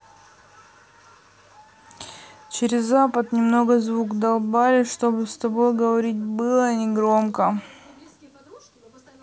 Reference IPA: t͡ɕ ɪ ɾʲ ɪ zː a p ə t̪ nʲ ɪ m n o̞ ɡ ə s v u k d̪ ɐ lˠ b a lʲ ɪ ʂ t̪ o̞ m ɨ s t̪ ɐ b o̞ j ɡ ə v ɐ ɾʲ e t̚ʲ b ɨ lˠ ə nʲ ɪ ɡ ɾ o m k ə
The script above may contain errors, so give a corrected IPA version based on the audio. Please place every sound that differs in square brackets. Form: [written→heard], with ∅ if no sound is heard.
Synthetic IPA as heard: t͡ɕ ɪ ɾʲ ɪ zː a p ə t̪ nʲ ɪ m n o̞ ɡ ə [s→z] v u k d̪ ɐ lˠ b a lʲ ɪ ʂ t̪ o̞ [m→b] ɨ s t̪ ɐ b o̞ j ɡ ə v ɐ ɾʲ [e→i] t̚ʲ b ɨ lˠ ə nʲ ɪ ɡ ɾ o m k ə